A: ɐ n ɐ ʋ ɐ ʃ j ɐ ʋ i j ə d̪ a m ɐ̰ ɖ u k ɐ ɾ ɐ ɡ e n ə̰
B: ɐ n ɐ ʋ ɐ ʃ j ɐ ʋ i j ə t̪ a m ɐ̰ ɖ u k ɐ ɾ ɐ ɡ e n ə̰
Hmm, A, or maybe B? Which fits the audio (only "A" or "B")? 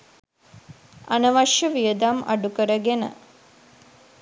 A